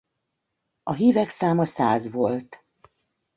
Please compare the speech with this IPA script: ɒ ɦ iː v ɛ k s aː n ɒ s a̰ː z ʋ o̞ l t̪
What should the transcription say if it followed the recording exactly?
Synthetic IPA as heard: ɒ ɦ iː v ɛ k s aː m ɒ s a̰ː z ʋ o̞ l t̪